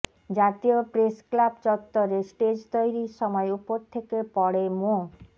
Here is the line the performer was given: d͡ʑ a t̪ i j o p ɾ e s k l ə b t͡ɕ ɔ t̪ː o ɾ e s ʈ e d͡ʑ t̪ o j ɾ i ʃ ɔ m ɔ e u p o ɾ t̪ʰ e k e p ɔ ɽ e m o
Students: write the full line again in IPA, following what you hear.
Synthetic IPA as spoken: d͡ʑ a t̪ i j o p ɾ e s k l a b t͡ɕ ɔ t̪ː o ɾ e s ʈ e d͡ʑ t̪ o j ɾ i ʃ ɔ m ɔ e u p o ɾ t̪ʰ e k e p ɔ ɽ e m o